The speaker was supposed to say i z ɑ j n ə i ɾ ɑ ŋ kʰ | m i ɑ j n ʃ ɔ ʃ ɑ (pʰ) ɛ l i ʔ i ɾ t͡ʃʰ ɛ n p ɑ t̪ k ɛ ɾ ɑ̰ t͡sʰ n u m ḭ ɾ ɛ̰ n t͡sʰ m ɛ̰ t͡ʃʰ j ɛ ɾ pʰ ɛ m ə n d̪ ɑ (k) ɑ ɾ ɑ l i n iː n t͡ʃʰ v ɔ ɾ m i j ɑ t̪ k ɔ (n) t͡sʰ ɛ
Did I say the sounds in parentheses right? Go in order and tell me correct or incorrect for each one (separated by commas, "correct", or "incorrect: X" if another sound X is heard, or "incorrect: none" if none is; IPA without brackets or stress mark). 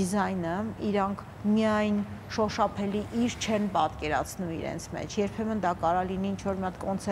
correct, correct, correct